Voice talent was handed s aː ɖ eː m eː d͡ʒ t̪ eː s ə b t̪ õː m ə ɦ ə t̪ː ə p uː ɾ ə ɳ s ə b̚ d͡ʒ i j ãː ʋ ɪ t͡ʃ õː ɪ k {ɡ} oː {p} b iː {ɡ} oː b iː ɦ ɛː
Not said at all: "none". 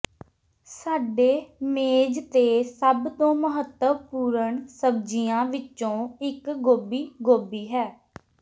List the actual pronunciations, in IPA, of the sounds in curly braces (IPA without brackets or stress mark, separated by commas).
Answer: ɡ, none, ɡ